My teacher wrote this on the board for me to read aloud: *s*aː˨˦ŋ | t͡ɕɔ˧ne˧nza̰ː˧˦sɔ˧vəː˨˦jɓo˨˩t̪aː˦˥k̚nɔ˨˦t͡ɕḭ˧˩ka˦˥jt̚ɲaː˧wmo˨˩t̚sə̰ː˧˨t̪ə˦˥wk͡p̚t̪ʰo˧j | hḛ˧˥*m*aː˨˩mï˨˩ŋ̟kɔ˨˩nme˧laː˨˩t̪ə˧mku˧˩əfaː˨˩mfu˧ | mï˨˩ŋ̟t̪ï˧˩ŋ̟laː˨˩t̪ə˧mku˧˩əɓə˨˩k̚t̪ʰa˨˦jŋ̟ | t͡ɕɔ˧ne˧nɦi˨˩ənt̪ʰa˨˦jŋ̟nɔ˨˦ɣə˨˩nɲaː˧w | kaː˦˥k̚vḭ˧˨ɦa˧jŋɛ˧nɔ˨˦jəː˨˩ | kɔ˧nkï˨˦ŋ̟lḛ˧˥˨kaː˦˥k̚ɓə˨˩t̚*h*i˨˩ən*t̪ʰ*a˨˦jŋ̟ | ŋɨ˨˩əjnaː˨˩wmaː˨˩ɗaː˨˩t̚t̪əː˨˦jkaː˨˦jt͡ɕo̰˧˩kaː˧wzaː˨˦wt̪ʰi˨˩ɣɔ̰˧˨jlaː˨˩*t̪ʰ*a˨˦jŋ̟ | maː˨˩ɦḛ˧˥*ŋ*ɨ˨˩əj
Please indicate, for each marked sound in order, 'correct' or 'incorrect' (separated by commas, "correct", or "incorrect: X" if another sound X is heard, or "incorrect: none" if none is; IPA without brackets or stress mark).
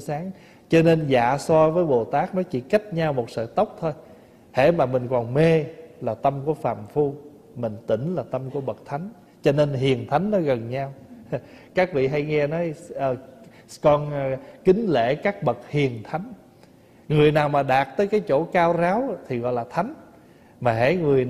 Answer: correct, correct, correct, correct, correct, correct